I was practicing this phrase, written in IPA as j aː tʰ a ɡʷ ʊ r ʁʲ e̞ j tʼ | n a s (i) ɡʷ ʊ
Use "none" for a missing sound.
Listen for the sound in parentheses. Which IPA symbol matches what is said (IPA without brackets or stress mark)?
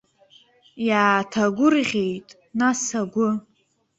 a